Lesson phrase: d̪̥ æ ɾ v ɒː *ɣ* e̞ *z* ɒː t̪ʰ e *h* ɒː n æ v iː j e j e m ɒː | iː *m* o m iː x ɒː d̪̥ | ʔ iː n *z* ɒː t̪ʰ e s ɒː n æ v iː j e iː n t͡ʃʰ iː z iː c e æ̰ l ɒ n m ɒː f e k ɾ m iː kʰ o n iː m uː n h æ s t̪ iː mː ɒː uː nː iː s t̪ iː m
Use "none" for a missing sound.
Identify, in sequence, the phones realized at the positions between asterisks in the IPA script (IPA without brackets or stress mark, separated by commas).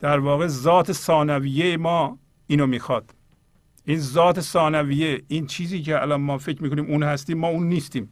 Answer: ɣ, z, s, n, z